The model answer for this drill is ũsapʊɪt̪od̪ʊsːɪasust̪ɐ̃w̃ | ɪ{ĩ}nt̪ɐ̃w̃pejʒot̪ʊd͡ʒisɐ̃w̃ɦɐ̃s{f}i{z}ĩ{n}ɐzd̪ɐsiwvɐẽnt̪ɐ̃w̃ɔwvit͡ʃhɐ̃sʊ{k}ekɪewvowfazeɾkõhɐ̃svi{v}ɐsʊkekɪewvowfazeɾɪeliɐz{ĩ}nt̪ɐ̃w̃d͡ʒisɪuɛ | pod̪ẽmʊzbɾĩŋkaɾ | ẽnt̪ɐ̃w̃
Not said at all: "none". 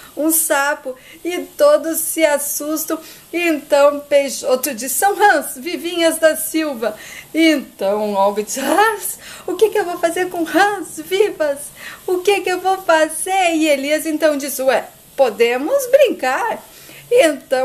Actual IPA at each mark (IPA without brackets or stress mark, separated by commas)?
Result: ẽ, v, v, ɲ, k, v, ẽ